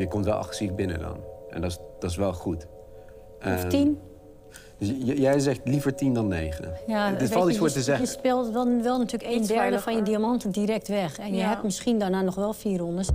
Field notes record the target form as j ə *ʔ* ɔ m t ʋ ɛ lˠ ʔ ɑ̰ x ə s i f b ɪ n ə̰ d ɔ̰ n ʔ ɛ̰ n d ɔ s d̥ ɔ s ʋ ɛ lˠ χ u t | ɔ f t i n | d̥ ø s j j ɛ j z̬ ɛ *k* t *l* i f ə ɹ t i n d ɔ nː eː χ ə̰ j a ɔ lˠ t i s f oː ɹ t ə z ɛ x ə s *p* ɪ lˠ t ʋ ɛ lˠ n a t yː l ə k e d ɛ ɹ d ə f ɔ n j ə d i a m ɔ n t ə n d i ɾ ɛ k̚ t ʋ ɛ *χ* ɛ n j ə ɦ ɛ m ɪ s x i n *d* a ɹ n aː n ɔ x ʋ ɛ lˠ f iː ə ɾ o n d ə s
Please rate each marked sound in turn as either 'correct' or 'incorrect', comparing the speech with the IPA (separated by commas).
incorrect, incorrect, correct, correct, incorrect, correct